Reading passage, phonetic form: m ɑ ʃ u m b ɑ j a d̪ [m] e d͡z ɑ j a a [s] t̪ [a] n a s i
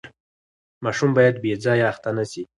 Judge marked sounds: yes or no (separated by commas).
no, no, yes